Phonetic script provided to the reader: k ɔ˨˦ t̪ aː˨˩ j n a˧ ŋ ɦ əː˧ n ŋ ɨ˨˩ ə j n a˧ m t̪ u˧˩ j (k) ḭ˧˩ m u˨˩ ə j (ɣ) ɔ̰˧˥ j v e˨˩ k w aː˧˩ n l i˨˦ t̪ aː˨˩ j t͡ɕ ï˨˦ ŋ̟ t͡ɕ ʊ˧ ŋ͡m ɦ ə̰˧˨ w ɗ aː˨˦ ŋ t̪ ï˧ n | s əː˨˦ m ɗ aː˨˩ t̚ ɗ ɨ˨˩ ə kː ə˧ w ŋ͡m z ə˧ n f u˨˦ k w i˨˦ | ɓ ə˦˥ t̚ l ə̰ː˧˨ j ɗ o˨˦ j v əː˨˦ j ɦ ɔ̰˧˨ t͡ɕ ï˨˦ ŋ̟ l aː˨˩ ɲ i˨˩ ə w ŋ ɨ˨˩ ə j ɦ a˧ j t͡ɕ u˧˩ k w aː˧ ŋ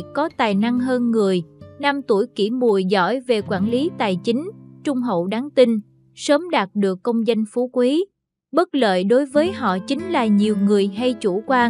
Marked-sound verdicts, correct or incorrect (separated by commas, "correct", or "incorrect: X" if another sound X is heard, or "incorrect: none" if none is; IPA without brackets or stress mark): correct, incorrect: z